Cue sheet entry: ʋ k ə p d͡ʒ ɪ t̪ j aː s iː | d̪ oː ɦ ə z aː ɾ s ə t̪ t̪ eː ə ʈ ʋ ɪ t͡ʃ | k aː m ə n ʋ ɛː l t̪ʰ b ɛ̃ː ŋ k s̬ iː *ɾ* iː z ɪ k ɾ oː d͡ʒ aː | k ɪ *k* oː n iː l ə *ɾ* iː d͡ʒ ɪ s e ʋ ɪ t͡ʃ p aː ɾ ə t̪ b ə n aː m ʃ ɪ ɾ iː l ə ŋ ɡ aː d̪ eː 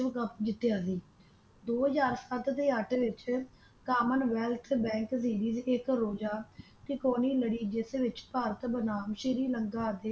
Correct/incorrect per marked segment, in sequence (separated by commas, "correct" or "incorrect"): correct, correct, incorrect